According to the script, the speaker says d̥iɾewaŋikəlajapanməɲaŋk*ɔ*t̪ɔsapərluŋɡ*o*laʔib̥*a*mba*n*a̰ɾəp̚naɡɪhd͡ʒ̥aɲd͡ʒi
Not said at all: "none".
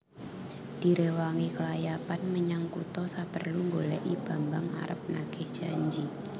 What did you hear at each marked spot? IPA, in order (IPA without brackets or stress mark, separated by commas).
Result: u, o, a, ŋ